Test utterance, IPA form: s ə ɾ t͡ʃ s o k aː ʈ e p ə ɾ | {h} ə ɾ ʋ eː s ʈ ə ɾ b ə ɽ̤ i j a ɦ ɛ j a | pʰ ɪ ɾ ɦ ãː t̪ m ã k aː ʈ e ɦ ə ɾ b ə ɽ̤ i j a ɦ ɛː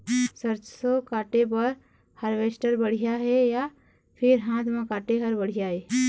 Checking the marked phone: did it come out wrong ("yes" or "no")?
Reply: no